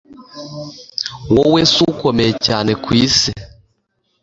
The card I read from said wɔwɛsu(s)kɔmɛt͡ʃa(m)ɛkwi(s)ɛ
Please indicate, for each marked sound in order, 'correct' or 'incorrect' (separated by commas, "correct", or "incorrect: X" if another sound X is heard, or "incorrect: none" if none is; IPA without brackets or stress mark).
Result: incorrect: none, incorrect: n, correct